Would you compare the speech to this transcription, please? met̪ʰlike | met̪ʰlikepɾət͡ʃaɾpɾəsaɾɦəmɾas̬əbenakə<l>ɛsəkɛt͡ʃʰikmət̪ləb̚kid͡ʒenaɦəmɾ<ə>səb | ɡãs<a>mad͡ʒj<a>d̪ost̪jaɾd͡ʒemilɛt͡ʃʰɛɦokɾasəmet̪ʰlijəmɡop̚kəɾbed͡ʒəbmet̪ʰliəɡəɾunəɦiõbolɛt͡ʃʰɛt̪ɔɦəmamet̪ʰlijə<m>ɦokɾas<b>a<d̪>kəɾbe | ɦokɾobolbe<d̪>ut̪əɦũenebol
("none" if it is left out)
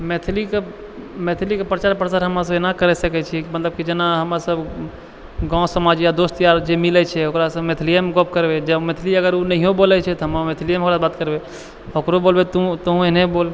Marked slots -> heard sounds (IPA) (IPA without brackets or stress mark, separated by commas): ɾ, a, ə, a, m, b, t̪, t̪